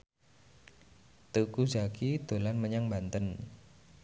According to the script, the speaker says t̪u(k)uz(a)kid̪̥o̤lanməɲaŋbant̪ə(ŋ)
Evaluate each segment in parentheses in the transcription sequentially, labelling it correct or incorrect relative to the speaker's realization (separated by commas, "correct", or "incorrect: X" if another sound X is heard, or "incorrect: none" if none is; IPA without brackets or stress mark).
correct, correct, incorrect: n